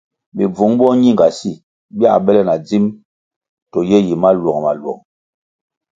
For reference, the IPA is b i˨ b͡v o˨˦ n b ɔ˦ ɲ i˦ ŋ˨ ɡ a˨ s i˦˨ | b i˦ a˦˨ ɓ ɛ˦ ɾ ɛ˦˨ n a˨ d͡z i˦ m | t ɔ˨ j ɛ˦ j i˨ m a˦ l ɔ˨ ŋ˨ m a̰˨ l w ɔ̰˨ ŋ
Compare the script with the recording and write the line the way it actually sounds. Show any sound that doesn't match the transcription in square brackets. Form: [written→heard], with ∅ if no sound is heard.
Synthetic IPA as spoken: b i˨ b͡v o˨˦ [n→ŋ] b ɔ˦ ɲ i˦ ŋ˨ ɡ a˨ s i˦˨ | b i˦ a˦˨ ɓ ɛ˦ [ɾ→l] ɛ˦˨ n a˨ d͡z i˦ m | t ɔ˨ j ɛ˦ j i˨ m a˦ l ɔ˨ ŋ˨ m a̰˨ l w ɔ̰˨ ŋ

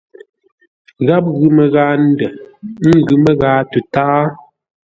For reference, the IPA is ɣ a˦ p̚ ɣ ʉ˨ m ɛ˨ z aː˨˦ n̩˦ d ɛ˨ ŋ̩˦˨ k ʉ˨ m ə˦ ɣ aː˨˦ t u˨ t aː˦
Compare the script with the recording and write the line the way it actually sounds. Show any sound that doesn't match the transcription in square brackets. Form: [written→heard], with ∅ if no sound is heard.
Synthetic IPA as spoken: ɣ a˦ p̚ ɣ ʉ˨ m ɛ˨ [z→ɣ] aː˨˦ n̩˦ d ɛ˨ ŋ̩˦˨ [k→ɡ] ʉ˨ m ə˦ ɣ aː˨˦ t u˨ t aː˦

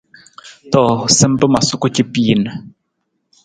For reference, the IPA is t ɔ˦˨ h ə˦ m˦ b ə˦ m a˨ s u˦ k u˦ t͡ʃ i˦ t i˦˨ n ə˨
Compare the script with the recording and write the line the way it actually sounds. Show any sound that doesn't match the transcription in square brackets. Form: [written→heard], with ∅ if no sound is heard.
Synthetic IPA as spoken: t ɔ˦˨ [h→s] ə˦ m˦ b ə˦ m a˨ s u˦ k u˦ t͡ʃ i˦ [t→p] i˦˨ n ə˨

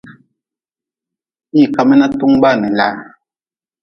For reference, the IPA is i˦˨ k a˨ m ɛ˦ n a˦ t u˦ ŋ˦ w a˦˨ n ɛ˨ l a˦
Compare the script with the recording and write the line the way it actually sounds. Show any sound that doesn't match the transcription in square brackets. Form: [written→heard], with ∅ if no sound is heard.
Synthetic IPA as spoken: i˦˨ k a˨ m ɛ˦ n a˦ t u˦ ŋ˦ [w→b] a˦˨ n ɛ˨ l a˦

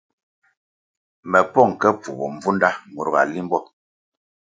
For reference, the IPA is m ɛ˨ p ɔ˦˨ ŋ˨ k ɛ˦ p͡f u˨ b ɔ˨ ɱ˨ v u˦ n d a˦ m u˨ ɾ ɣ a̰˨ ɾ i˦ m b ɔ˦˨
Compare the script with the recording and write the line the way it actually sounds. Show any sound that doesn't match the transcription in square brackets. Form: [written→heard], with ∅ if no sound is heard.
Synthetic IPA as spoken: m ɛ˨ p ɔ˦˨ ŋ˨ k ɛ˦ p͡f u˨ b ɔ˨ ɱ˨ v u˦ n d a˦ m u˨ ɾ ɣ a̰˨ [ɾ→l] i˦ m b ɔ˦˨

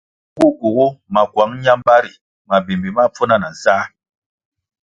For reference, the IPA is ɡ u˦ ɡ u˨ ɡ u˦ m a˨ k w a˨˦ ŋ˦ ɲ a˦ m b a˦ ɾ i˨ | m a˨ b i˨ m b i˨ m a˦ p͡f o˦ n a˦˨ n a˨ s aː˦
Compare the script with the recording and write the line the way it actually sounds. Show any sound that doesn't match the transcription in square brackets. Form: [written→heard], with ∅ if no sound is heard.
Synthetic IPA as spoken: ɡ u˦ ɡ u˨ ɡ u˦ m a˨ k w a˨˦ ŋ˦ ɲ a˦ m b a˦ ɾ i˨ | m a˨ b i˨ m b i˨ m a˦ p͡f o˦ n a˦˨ n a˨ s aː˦

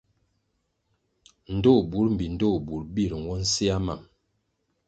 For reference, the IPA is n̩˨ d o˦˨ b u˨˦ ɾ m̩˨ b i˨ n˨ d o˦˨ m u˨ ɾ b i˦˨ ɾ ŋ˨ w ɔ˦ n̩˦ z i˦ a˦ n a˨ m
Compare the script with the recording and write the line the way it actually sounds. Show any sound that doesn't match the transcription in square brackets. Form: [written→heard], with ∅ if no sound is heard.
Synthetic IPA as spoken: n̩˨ d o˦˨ b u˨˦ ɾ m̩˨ b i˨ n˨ d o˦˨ [m→b] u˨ ɾ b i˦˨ ɾ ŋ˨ w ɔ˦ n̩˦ [z→s] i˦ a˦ [n→m] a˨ m

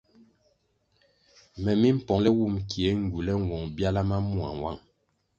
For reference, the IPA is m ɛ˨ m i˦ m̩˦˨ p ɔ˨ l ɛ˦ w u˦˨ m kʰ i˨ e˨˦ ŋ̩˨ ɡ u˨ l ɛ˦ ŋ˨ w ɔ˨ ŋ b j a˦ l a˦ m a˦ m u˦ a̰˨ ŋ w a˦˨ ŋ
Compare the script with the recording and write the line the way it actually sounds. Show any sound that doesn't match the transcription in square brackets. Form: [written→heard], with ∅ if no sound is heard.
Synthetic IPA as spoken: m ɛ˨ m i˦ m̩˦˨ p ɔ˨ l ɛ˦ w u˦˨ m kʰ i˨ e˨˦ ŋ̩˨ ɡ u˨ l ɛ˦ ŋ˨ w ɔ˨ ŋ b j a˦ l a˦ m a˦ m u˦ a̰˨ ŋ w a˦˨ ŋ

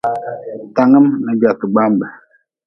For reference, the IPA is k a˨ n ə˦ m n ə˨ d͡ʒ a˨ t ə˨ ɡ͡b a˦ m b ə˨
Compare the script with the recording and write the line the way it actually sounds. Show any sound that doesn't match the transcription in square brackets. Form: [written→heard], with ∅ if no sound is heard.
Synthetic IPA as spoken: [k→t] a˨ [n→ŋ] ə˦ m n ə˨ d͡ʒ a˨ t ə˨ ɡ͡b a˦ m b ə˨

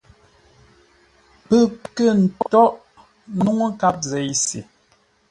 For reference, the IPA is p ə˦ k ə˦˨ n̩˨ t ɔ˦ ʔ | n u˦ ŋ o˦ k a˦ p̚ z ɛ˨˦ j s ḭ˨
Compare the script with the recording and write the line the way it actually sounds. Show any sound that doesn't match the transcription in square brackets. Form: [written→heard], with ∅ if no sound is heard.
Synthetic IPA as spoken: p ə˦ k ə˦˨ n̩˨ t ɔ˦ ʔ | n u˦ ŋ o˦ k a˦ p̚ z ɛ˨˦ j s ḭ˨

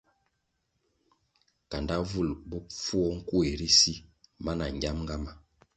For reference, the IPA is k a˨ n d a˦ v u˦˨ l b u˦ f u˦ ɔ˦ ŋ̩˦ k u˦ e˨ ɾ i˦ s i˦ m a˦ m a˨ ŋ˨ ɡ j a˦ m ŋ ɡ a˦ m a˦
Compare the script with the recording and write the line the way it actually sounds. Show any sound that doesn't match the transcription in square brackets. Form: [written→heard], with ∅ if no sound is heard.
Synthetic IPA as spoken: k a˨ n d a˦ v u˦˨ l b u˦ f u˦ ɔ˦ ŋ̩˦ k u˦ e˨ ɾ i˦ s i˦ m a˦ [m→n] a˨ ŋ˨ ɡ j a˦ m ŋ ɡ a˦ m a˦

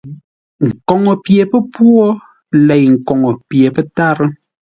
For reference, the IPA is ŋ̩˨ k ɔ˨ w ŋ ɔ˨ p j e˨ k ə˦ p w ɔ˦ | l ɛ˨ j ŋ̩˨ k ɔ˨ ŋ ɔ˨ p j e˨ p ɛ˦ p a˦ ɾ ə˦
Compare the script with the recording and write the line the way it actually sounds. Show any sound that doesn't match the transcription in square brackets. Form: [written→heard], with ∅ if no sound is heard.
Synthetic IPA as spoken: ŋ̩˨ k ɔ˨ [w→∅] ŋ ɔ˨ p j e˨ [k→p] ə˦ p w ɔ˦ | l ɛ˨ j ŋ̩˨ k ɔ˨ ŋ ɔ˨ p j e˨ p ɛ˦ [p→t] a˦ ɾ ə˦

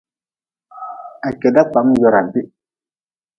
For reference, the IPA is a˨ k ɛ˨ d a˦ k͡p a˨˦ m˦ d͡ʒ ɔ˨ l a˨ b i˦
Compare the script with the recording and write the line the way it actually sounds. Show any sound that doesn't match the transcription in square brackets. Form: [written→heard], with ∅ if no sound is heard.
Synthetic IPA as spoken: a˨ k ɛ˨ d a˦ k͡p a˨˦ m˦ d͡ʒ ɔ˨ [l→ɾ] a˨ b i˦

